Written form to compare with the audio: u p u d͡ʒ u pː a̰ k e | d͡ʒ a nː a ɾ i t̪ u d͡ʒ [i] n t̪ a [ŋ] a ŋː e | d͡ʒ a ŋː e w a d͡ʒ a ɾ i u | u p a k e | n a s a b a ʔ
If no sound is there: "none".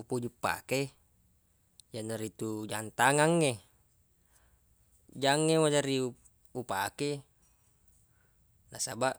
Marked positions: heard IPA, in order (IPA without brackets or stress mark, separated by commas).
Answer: a, ŋ